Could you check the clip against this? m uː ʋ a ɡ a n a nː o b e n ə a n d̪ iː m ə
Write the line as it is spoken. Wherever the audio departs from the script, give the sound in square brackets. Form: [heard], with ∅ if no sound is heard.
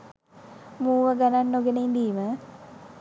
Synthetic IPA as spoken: m uː ʋ [ə] ɡ a n a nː o [ɡ] e n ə [i] n d̪ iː m ə

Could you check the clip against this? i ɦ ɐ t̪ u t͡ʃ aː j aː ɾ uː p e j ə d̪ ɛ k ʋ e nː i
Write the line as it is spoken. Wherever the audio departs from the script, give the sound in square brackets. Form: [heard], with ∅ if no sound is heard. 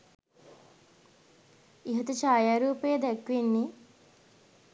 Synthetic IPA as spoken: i ɦ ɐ t̪ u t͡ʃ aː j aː ɾ uː p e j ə d̪ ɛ k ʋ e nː i

